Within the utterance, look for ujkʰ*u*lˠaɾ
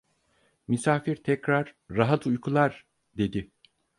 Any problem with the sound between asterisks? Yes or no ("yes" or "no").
no